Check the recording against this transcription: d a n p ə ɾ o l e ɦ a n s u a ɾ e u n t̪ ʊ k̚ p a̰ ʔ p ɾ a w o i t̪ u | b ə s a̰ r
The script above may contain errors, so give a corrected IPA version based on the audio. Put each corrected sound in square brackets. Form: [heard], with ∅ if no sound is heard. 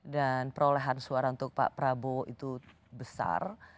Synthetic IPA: d a n p ə ɾ o l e ɦ a n s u a ɾ [a] u n t̪ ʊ k̚ p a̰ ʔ p ɾ a [b] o i t̪ u | b ə s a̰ r